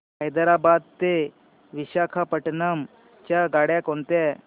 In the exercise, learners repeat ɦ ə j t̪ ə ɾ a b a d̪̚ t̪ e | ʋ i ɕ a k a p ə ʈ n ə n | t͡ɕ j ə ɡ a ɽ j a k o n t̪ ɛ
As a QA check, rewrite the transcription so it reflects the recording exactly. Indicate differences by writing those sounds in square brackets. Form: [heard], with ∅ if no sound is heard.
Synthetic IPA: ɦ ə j [d̪] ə ɾ a b a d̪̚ t̪ e | ʋ i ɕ a [kʰ] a p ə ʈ n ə [m] | t͡ɕ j [a] ɡ a ɽ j a k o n t̪ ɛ